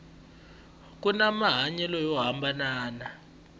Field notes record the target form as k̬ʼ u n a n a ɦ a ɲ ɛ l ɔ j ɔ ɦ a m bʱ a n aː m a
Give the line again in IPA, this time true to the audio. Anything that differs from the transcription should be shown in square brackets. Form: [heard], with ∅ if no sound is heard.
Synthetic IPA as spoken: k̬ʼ u n a [m] a ɦ a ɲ ɛ l ɔ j ɔ ɦ a m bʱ a n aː [n] a